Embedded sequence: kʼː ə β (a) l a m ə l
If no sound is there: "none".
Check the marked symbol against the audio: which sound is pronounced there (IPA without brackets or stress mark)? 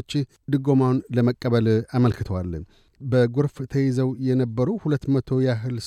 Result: ə